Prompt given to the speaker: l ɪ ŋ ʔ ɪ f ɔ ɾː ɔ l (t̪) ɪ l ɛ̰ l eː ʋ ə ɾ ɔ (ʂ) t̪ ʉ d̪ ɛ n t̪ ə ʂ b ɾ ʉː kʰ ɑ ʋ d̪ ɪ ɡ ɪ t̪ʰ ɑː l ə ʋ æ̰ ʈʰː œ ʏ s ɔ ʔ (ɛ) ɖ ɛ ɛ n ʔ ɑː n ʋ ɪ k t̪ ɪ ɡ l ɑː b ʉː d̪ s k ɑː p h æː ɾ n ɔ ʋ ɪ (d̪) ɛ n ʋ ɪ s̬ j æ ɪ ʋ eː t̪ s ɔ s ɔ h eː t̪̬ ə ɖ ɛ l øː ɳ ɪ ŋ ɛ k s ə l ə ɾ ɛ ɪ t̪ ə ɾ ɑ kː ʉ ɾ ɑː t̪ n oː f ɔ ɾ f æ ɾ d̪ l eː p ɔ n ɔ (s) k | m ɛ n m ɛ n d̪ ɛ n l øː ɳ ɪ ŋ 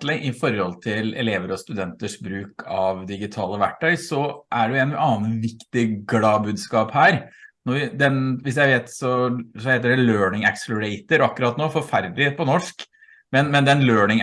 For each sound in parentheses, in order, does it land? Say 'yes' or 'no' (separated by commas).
no, no, no, yes, no